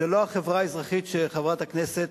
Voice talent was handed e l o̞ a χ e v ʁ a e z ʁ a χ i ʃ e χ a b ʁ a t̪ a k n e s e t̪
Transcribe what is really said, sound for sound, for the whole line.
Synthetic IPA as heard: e l o̞ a χ e v ʁ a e z ʁ a χ i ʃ e χ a v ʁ a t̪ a k n e s e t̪